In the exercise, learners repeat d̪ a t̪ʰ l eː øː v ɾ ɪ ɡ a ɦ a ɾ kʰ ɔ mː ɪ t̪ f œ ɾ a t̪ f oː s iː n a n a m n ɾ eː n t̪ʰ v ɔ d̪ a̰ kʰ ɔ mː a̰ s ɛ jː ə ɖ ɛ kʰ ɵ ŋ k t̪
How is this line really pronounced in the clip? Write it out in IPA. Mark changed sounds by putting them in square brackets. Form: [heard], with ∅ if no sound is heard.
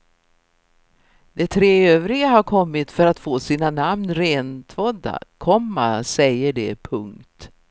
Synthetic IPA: d̪ [ɛ] t̪ʰ [ɾ] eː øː v ɾ ɪ ɡ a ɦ a ɾ kʰ ɔ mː ɪ t̪ f œ ɾ a t̪ f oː s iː n a n a m n ɾ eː n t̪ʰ v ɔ d̪ a̰ kʰ ɔ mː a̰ s ɛ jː ə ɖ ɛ [pʰ] ɵ ŋ k t̪